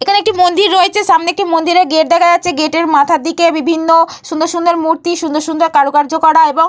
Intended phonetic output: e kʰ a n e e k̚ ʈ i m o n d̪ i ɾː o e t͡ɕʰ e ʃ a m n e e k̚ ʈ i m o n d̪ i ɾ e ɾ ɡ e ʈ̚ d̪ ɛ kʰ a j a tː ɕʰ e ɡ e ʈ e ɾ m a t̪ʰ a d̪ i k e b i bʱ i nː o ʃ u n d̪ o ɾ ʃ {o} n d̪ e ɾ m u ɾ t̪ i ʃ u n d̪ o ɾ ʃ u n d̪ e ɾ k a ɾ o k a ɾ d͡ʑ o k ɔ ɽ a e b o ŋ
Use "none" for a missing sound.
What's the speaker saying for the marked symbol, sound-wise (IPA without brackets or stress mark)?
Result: u